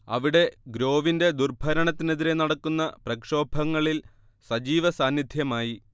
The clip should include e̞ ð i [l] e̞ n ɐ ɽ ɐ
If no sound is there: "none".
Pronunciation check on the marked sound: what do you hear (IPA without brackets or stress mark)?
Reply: ɾ